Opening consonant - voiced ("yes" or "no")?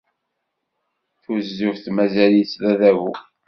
no